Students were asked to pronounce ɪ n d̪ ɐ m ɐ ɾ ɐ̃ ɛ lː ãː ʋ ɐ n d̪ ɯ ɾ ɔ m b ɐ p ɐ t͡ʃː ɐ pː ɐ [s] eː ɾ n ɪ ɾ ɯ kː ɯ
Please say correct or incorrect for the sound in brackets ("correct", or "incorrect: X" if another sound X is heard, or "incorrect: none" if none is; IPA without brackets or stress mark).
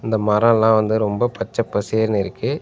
correct